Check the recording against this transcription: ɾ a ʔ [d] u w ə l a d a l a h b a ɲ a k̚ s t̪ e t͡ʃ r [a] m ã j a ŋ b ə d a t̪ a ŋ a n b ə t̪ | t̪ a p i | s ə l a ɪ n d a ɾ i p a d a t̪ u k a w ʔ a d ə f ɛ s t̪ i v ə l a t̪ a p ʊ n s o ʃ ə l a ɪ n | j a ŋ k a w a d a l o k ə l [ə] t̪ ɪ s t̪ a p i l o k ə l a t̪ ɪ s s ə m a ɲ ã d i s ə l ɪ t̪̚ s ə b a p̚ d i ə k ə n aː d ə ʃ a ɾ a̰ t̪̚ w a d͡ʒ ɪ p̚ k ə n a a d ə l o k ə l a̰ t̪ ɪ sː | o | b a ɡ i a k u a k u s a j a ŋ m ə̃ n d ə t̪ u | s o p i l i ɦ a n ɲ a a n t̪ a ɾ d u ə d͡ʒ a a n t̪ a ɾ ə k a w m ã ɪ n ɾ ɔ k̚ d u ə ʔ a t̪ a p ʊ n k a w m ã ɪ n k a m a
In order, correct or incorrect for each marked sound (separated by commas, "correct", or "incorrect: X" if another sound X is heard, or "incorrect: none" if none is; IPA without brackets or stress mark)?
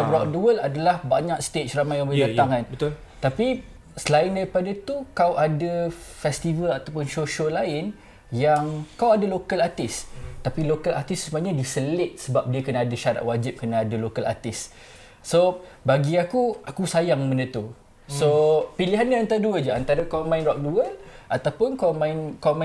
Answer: correct, correct, incorrect: a